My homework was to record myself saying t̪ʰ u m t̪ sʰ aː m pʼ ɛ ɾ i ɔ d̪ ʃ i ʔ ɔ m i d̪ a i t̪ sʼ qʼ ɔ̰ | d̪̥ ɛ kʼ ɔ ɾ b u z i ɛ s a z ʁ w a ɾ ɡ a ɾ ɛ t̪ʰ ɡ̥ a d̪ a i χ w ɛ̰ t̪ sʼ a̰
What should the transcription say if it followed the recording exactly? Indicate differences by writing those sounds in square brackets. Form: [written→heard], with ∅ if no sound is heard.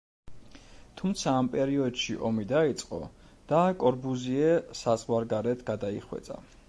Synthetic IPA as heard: t̪ʰ u m t̪ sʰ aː m pʼ ɛ ɾ i ɔ d̪ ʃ i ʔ ɔ m i d̪ a i t̪ sʼ qʼ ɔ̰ | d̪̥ [ɛ→a] kʼ ɔ ɾ b u z i ɛ s a z ʁ w a ɾ ɡ a ɾ ɛ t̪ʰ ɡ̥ a d̪ a i χ w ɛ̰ t̪ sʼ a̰